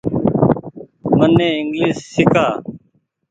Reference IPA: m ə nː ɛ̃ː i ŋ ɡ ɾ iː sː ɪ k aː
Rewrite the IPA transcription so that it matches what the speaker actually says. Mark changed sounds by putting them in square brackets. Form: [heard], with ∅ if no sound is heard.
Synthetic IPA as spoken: m ə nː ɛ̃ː [ɪ] ŋ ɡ [l] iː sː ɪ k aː